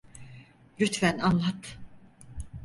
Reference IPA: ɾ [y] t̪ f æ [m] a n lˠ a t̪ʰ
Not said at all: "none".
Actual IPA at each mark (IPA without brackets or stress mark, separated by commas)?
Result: y, n